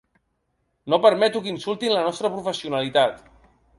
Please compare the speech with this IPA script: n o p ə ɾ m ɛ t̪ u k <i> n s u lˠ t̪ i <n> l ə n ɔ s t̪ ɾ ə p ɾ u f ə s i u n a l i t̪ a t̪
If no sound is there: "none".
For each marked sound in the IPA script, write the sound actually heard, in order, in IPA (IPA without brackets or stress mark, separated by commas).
i, n